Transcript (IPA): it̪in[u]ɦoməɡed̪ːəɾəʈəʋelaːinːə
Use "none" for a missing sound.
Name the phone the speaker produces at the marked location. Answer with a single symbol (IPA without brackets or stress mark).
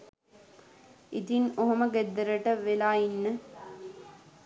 o